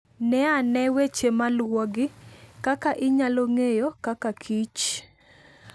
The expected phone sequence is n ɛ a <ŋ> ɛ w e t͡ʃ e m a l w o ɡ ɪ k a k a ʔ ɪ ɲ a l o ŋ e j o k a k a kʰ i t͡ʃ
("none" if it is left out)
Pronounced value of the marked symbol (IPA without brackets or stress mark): n